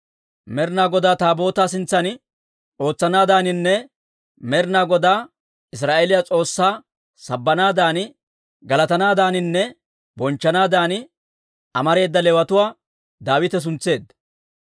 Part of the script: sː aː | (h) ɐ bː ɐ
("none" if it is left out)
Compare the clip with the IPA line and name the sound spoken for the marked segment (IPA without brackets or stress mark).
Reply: s